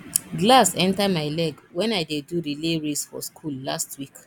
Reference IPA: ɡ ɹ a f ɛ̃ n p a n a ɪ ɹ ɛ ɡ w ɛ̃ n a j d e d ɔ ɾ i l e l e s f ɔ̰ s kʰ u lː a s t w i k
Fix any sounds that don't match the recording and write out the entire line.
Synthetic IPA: ɡ l a s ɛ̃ n t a m a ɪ l ɛ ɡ w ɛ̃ n a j d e d u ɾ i l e ɹ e s f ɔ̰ s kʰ u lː a s t w i k